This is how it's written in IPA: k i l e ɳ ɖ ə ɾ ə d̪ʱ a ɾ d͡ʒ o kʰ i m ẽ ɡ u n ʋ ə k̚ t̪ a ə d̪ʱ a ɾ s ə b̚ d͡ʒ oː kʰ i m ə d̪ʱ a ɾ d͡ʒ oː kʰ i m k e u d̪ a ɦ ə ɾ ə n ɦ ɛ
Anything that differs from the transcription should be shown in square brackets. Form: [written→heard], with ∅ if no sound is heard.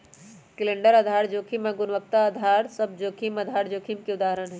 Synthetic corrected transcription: k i l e ɳ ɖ ə ɾ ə d̪ʱ a ɾ d͡ʒ o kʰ i m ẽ ɡ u n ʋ ə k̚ t̪ a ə d̪ʱ a ɾ s ə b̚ d͡ʒ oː kʰ i m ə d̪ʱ a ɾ d͡ʒ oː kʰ i m k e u d̪ a ɦ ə ɾ ə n ɦ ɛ